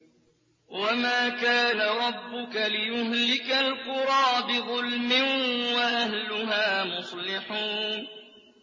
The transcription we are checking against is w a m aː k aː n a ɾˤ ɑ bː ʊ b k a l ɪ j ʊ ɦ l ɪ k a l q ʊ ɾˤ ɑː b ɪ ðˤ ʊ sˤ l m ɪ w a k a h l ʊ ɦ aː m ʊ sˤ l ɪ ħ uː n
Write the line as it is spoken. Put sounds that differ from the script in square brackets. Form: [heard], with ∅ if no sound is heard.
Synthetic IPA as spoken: w a m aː k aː n a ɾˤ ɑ bː ʊ [∅] k a l ɪ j ʊ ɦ l ɪ k a l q ʊ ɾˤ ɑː b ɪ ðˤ ʊ [∅] l m ɪ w a [ʔ] a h l ʊ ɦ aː m ʊ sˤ l ɪ ħ uː n